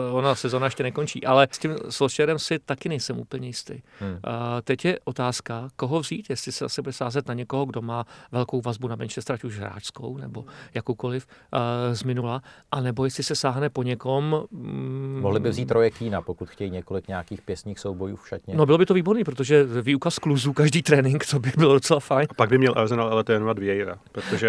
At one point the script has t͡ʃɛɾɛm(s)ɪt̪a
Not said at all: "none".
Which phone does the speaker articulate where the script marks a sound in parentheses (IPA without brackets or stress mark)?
s